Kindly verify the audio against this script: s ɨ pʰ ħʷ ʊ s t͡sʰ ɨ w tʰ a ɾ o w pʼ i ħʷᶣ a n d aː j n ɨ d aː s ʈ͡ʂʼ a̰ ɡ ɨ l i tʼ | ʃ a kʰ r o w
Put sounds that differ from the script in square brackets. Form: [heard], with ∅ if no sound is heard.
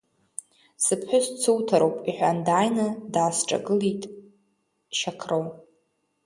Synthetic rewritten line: s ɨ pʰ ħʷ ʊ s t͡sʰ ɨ w tʰ a ɾ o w pʼ i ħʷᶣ a n d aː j n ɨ d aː s ʈ͡ʂʼ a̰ ɡ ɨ l i tʼ | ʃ a kʰ r o w